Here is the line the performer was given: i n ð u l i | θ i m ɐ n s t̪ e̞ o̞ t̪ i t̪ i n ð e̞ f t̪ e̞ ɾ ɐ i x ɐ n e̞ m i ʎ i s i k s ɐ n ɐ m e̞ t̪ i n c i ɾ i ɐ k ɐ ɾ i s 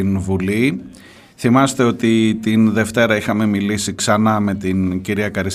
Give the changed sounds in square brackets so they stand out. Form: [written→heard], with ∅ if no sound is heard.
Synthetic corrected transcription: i n [ð→v] u l i | θ i m ɐ [n→∅] s t̪ e̞ o̞ t̪ i t̪ i n ð e̞ f t̪ e̞ ɾ ɐ i x ɐ [n→m] e̞ m i [ʎ→l] i s i k s ɐ n ɐ m e̞ t̪ i n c i ɾ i ɐ k ɐ ɾ i s